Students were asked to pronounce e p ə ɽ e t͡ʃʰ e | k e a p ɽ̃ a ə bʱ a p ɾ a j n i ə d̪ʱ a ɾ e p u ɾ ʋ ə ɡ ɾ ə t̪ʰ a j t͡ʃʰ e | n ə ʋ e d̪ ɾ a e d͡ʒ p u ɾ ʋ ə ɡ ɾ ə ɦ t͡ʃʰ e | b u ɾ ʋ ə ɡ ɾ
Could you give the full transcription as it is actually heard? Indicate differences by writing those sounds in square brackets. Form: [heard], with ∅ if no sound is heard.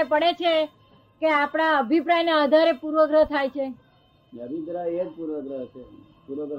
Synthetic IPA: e p ə ɽ e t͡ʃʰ e | k e a p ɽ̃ a ə bʱ [i] p ɾ a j n [a] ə d̪ʱ a ɾ e p u ɾ ʋ ə ɡ ɾ ə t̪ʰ a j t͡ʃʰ e | n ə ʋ [i] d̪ ɾ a e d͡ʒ p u ɾ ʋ ə ɡ ɾ ə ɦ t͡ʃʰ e | [p] u ɾ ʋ ə ɡ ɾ